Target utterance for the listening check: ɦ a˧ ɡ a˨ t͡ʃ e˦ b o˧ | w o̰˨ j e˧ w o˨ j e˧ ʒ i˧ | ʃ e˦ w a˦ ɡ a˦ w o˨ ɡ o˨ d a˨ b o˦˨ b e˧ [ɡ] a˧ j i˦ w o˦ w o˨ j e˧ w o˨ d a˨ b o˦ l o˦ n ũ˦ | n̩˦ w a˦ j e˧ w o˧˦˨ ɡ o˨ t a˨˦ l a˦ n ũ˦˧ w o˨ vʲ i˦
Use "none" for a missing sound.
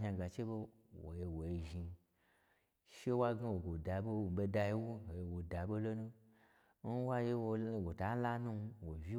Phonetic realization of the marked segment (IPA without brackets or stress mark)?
d